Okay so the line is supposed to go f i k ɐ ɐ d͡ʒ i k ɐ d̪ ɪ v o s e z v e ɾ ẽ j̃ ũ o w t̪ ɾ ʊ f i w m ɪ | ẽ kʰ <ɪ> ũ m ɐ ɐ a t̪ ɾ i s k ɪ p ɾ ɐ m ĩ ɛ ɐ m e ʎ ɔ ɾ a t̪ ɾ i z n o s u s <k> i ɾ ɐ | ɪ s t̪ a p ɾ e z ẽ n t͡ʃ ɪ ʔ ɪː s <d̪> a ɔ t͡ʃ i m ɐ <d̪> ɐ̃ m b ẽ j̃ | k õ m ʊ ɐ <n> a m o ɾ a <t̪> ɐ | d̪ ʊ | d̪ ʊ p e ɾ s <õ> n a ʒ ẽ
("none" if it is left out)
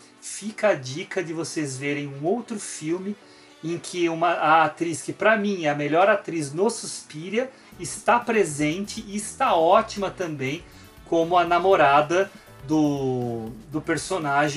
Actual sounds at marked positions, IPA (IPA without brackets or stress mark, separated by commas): ɪ, p, t̪, t̪, n, d̪, o